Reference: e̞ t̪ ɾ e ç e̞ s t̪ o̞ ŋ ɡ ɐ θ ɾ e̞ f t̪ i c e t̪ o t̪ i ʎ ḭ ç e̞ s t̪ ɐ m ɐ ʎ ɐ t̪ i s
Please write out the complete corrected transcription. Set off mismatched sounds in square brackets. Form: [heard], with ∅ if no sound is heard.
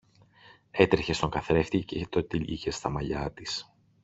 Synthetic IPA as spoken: e̞ t̪ ɾ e ç e̞ s t̪ o̞ ŋ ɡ ɐ θ ɾ e̞ f t̪ i c e t̪ o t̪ i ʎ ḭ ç e̞ s t̪ ɐ m ɐ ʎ ɐ t̪ i s